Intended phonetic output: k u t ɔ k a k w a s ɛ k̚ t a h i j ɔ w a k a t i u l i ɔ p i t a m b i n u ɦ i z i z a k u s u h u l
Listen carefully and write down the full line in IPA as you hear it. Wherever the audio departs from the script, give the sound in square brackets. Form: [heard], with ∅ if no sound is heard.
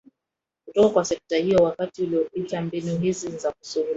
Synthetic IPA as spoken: k u t ɔ k a k w a s ɛ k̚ t a h i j ɔ w a k a t i u l i ɔ p i t a m b i n u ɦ i z i z a k u s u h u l